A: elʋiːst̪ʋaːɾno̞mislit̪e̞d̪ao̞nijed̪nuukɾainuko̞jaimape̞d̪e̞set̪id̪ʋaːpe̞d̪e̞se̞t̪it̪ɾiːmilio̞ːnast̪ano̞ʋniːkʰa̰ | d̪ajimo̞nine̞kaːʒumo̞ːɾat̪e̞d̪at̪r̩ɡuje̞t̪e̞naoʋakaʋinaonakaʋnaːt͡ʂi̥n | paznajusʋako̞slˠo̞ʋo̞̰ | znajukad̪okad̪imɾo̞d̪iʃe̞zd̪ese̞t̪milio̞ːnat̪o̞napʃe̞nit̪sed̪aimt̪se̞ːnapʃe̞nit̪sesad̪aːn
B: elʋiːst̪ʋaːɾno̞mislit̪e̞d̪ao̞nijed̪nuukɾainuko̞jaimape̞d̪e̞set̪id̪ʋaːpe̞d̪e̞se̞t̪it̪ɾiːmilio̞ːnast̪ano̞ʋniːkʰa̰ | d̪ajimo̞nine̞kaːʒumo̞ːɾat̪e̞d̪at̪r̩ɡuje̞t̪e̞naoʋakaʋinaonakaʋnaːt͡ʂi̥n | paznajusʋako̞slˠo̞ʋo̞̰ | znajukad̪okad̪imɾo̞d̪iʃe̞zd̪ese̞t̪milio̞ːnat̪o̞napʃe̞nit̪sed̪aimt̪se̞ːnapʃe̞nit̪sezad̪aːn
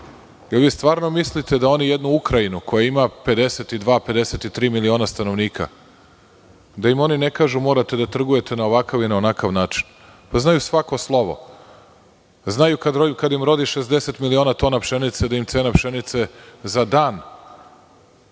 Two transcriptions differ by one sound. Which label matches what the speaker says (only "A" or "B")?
B